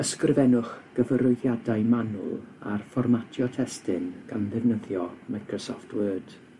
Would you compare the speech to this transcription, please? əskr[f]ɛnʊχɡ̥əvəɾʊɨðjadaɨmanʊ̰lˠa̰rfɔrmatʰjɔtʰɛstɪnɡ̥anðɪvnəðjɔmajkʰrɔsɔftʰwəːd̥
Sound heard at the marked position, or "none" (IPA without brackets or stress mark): v